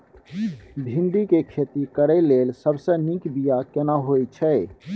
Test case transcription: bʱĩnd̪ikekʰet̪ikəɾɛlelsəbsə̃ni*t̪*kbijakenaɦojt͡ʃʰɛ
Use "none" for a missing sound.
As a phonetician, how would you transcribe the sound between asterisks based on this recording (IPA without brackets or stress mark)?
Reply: none